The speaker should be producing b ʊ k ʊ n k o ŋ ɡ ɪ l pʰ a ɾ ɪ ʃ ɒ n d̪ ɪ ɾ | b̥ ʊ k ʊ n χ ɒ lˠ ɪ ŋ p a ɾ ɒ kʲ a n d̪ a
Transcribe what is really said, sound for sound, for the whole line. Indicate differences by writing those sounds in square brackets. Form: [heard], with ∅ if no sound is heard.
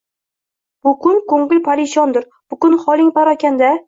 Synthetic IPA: b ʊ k ʊ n k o ŋ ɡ ɪ l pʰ a ɾ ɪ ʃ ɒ n d̪ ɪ ɾ | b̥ ʊ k ʊ n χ ɒ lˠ ɪ ŋ p a ɾ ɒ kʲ a n d̪ a